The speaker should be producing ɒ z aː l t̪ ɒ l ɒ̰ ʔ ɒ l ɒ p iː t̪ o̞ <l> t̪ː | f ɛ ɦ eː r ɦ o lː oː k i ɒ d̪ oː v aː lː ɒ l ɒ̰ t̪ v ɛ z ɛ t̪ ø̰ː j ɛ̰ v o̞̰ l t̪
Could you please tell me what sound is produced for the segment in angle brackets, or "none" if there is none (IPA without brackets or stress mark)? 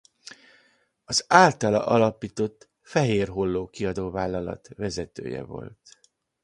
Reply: none